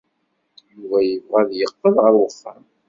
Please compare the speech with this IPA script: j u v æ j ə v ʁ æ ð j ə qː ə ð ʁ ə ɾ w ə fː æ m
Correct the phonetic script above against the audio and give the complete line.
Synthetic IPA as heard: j u v æ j ə v ʁ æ ð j ə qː ə ð ʁ ə ɾ w ə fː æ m